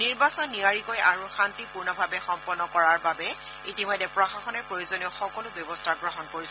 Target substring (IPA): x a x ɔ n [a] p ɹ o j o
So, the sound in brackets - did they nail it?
no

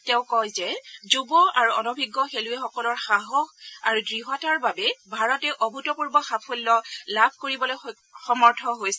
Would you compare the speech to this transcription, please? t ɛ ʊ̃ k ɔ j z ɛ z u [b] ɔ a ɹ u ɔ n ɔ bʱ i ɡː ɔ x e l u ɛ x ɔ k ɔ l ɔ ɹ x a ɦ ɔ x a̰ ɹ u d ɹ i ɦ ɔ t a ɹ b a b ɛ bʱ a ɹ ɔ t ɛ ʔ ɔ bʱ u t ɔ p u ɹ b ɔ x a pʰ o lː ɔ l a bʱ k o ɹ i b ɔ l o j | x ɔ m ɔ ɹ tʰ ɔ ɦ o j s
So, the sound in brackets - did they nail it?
yes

